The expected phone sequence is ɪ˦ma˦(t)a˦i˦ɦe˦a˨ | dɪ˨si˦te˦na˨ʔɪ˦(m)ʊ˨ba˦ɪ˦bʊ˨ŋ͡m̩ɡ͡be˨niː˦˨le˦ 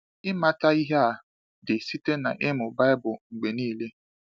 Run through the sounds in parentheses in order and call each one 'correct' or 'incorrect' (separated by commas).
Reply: correct, correct